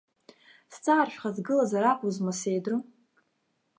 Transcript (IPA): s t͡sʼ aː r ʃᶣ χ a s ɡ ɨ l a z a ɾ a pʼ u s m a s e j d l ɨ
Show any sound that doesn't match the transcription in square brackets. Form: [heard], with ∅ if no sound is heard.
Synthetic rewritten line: s t͡sʼ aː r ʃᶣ χ a [z] ɡ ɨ l a z a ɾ a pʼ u [z] m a s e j d [r] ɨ